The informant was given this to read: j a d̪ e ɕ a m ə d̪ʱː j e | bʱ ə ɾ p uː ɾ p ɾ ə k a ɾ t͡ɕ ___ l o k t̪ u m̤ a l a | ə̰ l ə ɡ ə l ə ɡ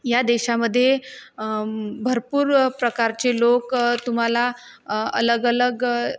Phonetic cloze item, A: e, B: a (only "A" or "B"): A